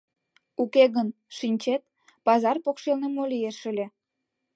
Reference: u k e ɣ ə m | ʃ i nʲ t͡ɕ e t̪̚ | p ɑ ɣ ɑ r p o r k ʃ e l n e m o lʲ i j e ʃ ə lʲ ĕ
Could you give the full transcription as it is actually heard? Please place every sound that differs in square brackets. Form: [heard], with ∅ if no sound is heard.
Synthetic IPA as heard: u k e ɣ ə [n] | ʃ i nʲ t͡ɕ e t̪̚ | p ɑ [z] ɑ r p o [∅] k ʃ e l n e m o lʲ i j e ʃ ə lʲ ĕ